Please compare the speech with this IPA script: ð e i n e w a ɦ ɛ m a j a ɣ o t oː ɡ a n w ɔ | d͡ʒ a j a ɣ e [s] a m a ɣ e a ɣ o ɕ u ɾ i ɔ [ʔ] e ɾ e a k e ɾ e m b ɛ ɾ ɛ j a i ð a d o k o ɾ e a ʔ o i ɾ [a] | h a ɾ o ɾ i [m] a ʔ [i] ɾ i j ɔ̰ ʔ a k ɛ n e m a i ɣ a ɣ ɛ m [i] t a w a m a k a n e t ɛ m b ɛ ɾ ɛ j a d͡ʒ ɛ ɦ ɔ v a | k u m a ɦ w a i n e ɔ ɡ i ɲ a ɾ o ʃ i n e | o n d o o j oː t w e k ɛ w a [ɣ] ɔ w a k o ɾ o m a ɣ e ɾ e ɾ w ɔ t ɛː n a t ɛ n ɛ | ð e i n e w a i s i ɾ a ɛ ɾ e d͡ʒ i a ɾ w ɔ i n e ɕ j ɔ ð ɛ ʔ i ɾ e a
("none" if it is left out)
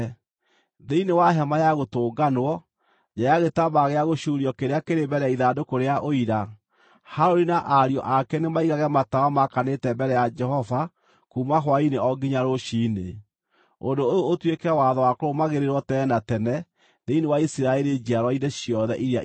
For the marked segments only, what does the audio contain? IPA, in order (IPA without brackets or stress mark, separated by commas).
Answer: t, k, a, n, a, a, ð